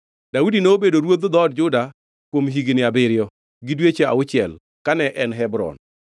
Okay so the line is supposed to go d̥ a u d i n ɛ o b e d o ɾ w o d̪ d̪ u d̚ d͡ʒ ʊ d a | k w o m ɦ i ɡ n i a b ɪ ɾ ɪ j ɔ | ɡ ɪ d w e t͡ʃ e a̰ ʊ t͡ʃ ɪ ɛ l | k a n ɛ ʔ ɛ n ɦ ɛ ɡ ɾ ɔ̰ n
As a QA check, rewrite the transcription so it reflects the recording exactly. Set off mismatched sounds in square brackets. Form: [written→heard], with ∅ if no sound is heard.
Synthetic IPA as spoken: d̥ a u d i n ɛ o b e d o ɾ w o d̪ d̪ [u→ɔ] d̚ d͡ʒ ʊ d a | k w o m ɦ i ɡ n [i→ɪ] a b ɪ ɾ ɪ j ɔ | ɡ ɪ d w e t͡ʃ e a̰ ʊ t͡ʃ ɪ ɛ l | k a n ɛ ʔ ɛ n ɦ ɛ [ɡ→b] ɾ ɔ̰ n